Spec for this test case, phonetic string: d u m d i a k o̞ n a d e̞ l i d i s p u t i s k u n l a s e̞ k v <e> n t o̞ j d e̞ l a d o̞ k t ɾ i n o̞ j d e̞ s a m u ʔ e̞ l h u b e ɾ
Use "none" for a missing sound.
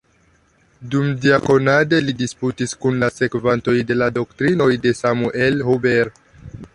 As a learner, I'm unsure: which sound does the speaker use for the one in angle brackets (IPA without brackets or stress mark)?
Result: a